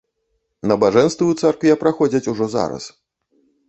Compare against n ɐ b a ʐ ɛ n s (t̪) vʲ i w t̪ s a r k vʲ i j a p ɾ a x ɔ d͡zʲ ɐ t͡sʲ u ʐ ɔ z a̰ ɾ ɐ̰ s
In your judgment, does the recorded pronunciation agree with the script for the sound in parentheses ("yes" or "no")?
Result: yes